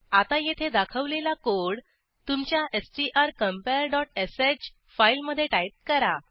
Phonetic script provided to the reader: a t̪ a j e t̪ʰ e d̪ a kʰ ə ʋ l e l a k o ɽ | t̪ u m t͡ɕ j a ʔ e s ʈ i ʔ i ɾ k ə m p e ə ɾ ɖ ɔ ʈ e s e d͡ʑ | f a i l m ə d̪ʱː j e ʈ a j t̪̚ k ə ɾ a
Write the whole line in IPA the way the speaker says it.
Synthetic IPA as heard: a t̪ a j e t̪ʰ e d̪ a kʰ ə ʋ l e l a k o ɽ | t̪ u m t͡ɕ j a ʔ e s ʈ i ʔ a ɾ k ə m p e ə ɾ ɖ ɔ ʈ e s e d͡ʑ | f a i l m ə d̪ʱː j e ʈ a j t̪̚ k ə ɾ a